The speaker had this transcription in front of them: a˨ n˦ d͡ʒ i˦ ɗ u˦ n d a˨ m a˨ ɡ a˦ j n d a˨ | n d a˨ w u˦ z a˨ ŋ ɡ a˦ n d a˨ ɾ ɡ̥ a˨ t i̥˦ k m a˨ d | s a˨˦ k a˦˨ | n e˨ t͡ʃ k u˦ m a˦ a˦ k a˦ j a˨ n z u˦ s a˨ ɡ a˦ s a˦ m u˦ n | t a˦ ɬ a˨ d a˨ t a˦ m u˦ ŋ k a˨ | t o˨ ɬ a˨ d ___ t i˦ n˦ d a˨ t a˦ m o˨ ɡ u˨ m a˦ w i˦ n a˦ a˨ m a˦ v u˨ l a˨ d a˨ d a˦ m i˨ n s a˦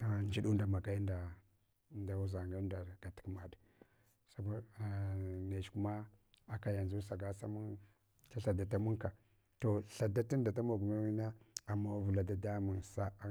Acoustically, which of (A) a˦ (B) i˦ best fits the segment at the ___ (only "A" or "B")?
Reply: A